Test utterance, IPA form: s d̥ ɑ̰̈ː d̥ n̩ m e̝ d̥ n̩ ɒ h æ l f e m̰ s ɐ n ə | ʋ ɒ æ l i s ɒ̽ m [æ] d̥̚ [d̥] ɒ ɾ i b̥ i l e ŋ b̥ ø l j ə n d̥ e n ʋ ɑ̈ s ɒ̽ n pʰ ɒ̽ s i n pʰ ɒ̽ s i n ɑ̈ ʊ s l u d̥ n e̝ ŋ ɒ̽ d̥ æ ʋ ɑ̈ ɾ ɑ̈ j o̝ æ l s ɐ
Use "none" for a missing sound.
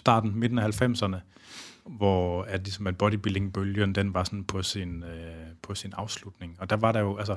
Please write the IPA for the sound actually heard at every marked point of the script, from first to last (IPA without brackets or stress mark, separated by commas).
æ, b̥